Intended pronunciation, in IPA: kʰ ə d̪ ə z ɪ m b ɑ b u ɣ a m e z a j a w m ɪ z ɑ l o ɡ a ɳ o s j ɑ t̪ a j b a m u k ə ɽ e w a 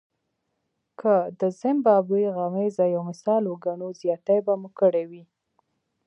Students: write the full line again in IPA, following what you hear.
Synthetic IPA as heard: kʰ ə d̪ ə z ɪ m b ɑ b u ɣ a m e z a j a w m ɪ s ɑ l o ɡ a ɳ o z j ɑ t̪ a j b a m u k ə ɽ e w i